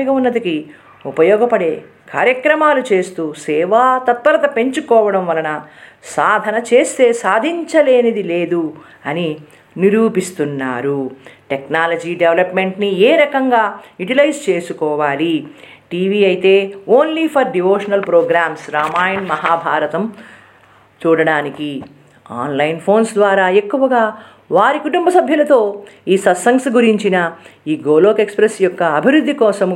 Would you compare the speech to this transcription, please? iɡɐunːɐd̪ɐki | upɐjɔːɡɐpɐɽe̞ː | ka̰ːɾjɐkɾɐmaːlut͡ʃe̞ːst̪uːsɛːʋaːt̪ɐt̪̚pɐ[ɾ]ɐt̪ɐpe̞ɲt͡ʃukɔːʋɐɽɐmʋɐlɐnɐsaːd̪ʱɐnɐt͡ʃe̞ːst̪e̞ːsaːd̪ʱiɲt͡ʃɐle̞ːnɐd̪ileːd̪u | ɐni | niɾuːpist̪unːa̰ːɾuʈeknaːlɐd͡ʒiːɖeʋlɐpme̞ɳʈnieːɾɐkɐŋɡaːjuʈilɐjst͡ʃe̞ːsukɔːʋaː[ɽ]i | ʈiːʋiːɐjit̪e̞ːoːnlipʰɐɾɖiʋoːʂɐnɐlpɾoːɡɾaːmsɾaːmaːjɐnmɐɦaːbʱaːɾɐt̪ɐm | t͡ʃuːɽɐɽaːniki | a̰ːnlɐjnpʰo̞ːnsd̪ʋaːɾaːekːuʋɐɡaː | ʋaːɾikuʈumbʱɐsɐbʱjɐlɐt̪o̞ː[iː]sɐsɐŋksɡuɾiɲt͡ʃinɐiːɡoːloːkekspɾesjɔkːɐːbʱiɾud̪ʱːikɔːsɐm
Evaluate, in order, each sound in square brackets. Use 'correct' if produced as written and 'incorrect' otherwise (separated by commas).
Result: correct, incorrect, correct